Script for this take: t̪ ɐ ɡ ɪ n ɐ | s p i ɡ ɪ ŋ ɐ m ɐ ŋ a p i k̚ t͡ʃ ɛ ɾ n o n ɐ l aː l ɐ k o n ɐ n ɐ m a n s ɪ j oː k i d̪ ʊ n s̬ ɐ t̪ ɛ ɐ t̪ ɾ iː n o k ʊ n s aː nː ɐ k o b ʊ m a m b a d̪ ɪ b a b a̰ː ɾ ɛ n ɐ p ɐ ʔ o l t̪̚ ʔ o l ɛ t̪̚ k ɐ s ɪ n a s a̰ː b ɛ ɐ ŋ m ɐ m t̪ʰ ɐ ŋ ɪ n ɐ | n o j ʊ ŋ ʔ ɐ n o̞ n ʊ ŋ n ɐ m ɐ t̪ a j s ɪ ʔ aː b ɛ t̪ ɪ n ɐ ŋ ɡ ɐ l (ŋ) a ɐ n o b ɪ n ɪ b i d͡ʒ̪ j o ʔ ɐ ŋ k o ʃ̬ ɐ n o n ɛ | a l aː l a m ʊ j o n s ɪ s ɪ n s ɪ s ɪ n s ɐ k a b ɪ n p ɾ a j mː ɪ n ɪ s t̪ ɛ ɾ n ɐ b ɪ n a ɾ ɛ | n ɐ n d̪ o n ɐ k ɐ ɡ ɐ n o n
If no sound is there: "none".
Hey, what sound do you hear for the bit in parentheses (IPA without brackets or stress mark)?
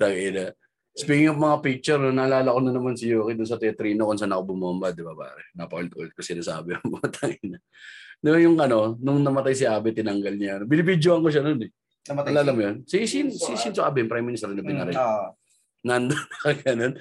ɲ